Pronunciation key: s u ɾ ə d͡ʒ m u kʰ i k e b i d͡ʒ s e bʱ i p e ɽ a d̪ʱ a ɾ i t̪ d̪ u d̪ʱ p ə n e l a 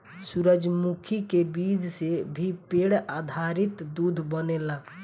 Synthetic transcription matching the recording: s u ɾ ə d͡ʒ m u kʰ i k e b i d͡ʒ s e bʱ i p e ɽ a d̪ʱ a ɾ i t̪ d̪ u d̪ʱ b ə n e l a